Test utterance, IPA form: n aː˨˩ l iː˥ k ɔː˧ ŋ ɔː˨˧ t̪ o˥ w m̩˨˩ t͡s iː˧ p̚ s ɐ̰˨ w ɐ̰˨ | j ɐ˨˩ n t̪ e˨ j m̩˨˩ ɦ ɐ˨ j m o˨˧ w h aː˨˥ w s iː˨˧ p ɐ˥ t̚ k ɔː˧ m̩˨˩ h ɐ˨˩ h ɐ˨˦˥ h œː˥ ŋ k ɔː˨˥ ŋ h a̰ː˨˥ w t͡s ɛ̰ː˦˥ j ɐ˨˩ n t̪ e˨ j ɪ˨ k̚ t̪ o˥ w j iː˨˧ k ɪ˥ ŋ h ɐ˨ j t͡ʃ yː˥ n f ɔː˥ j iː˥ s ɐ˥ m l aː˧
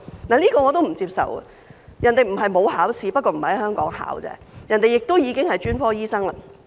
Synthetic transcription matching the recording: n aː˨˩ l iː˥ k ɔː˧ ŋ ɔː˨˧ t̪ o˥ w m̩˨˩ t͡s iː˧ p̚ s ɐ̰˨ w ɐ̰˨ | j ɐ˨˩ n t̪ e˨ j m̩˨˩ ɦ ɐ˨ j m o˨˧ w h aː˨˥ w s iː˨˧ p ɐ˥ t̚ k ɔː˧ m̩˨˩ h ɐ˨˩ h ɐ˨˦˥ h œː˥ ŋ k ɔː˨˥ ŋ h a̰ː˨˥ w t͡s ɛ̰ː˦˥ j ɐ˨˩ n t̪ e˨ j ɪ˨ k̚ t̪ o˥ w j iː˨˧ k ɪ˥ ŋ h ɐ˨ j t͡ʃ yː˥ n f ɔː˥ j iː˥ s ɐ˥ ŋ l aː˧